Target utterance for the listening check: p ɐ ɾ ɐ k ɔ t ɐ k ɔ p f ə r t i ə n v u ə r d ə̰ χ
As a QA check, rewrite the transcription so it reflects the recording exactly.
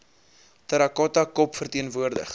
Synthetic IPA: t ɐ ɾ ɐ k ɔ t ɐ k ɔ p f ə r t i ə n v u ə r d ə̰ χ